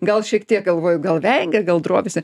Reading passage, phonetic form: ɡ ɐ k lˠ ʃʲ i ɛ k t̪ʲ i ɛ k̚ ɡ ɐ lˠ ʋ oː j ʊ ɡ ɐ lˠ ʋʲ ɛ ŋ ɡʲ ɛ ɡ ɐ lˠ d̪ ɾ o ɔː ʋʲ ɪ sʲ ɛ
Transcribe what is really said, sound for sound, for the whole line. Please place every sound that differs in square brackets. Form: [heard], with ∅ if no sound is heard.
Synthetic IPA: ɡ ɐ [∅] lˠ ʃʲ i ɛ k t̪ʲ i ɛ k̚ ɡ ɐ lˠ ʋ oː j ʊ ɡ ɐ lˠ ʋʲ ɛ ŋ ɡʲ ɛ ɡ ɐ lˠ d̪ ɾ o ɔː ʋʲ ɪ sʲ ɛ